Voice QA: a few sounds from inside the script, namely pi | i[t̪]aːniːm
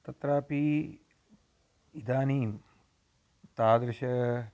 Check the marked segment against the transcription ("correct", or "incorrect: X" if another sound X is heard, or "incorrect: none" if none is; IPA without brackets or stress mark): incorrect: d̪